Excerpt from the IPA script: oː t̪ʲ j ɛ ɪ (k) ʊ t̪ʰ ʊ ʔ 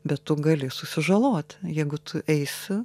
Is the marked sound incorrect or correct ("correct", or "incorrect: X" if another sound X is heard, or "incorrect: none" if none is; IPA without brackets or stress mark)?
incorrect: ɡ